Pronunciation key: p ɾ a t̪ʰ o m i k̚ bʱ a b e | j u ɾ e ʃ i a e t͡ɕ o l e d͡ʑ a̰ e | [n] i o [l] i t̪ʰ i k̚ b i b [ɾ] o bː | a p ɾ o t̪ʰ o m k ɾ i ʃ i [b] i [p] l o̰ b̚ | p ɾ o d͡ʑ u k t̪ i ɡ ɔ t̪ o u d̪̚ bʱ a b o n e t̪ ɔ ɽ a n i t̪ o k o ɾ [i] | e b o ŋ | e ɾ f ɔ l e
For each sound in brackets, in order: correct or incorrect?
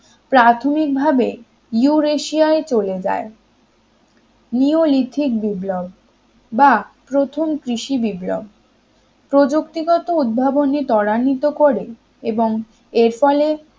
correct, correct, incorrect, correct, incorrect, incorrect

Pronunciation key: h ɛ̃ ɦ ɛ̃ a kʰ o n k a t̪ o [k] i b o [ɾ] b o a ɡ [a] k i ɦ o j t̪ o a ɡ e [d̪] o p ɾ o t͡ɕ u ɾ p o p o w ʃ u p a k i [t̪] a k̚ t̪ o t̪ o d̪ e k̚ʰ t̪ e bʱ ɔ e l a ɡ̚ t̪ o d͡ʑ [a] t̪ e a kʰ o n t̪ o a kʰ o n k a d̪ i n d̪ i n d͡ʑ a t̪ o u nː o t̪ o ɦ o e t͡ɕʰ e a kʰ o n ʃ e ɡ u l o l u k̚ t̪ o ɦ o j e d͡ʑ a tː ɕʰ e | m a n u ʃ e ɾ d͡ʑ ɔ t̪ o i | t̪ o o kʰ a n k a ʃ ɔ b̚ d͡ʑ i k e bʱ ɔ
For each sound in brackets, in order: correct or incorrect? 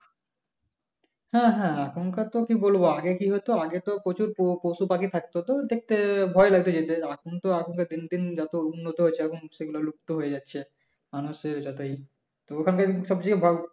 correct, incorrect, incorrect, incorrect, incorrect, incorrect

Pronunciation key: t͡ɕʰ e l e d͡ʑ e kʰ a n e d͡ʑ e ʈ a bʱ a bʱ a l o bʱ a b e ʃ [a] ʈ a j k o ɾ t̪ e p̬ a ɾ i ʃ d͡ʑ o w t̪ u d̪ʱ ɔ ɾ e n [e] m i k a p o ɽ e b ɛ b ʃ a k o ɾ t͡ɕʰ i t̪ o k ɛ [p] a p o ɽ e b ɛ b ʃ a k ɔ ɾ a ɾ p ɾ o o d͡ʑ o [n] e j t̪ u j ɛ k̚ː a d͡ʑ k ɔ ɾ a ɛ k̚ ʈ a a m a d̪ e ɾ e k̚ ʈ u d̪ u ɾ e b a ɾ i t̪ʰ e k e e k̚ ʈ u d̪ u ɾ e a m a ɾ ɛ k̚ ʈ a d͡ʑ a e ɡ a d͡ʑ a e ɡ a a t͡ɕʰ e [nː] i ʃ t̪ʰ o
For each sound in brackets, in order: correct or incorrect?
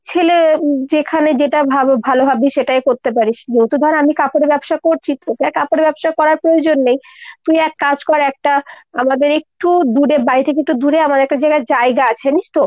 incorrect, incorrect, incorrect, incorrect, incorrect

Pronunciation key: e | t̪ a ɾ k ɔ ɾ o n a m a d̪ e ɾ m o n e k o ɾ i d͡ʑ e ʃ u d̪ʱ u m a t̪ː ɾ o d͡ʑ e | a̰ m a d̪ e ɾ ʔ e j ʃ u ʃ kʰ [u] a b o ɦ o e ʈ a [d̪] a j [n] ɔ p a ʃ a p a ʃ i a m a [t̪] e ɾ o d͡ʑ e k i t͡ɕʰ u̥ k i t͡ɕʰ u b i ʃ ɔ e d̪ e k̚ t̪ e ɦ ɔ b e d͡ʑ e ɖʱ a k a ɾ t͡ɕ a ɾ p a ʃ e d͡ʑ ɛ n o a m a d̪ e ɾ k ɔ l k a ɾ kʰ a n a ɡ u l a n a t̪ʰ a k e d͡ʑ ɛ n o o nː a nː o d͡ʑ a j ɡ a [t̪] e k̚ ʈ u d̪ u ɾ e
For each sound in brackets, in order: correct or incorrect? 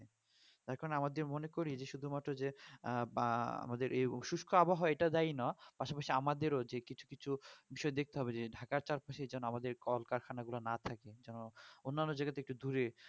incorrect, correct, correct, incorrect, correct

